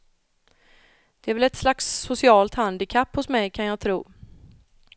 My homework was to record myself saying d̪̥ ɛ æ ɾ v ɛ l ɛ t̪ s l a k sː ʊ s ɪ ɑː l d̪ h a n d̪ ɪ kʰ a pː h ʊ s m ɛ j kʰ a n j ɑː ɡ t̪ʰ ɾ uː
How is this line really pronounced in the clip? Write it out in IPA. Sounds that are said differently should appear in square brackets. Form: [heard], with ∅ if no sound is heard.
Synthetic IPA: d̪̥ ɛ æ ɾ v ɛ l ɛ t̪ s l a k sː ʊ s ɪ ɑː l [t̪] h a n d̪ ɪ kʰ a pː h ʊ s m ɛ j kʰ a n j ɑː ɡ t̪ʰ ɾ uː